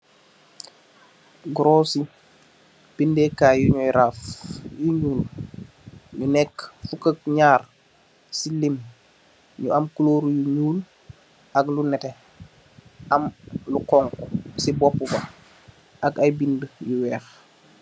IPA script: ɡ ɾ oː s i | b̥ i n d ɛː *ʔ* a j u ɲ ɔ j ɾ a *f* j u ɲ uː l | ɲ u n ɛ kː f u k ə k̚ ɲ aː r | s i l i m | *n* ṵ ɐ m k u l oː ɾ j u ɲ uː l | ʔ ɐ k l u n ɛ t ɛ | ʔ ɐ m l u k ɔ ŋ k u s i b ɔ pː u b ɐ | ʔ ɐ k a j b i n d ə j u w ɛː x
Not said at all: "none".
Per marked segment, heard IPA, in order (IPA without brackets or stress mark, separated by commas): k, f, ɲ